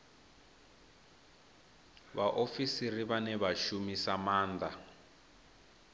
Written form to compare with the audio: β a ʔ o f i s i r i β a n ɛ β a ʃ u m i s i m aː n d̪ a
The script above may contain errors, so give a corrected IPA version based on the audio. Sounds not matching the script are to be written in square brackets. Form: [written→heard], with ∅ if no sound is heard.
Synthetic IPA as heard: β a ʔ o f i s i r i β a n ɛ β a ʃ u m i s [i→a] m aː n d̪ a